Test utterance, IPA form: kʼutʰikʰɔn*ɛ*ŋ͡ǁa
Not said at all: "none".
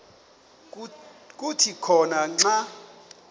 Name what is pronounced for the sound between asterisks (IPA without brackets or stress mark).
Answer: a